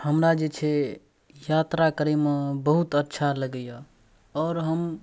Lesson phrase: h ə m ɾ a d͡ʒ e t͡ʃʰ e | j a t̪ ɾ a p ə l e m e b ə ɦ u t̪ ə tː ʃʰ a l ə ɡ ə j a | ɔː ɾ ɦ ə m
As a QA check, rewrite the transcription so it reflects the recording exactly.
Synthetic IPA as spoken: h ə m ɾ a d͡ʒ e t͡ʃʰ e | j a t̪ ɾ a k ə ɾ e m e b ə ɦ u t̪ ə tː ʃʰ a l ə ɡ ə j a | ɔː ɾ ɦ ə m